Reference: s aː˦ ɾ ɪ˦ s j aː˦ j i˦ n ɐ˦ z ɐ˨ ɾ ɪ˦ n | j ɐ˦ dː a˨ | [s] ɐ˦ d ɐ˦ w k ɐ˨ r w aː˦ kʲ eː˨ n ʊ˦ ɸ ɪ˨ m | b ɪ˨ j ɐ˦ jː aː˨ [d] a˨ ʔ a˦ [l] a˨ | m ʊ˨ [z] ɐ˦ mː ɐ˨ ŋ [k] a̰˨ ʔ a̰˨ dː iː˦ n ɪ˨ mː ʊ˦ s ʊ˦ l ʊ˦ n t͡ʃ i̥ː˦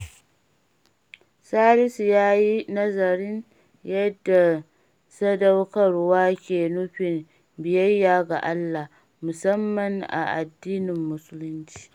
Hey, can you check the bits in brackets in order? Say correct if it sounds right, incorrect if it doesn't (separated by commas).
correct, incorrect, incorrect, incorrect, incorrect